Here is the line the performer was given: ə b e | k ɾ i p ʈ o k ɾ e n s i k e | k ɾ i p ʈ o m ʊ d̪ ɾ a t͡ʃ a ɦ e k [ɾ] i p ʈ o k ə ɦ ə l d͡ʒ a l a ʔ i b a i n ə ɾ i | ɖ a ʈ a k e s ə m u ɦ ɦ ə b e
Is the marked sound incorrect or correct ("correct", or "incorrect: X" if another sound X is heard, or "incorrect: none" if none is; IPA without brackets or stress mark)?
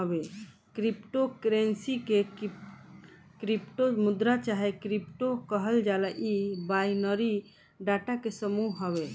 correct